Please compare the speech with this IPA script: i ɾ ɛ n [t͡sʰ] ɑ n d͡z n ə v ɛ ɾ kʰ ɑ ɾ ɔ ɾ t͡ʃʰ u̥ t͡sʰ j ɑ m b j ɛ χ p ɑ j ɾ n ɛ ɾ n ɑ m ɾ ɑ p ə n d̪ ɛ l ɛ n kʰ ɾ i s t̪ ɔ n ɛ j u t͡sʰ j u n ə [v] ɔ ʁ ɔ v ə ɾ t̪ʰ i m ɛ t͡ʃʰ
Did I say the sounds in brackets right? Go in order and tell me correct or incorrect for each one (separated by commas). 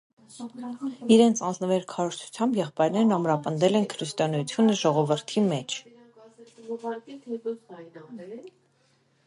correct, incorrect